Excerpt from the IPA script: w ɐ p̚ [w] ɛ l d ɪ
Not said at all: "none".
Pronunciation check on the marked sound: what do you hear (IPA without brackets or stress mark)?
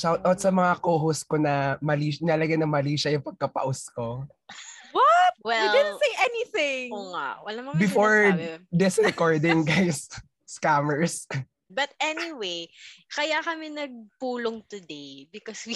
w